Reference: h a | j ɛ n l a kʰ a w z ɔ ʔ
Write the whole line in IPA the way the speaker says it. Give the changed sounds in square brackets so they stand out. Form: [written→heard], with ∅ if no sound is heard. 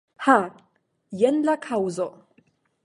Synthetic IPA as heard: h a | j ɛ n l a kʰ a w z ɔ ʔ